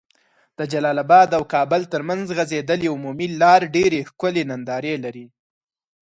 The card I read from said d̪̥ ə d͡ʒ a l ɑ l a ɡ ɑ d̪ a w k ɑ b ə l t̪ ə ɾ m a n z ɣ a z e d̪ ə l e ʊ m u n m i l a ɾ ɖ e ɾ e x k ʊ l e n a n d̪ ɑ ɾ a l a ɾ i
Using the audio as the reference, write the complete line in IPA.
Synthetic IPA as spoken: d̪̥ ə d͡ʒ a l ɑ l a b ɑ d̪ a w k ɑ b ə l t̪ ə ɾ m a n z ɣ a z e d̪ ə l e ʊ m u m i l ɑ ɾ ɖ e ɾ e x k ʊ l e n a n d̪ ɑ ɾ e l a ɾ i